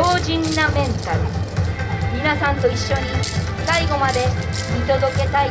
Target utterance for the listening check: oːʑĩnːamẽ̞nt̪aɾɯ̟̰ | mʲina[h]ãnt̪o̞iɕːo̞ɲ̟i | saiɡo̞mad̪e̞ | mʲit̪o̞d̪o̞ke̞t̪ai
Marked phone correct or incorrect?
incorrect